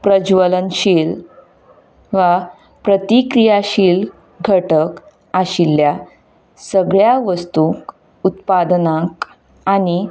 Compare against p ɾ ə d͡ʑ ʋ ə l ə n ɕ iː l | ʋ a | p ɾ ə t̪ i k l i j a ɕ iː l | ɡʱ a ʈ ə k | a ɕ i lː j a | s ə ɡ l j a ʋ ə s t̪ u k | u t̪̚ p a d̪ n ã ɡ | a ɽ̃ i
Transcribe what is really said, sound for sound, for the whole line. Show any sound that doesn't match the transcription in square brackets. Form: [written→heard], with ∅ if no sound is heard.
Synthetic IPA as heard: p ɾ ə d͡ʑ ʋ ə l ə n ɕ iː l | ʋ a | p ɾ ə t̪ i k [l→ɾ] i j a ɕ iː l | ɡʱ [a→ə] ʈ ə k | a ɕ i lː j a | s ə ɡ [l→ɭ] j a ʋ ə s t̪ u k | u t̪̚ p a d̪ n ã [ɡ→k] | a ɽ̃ i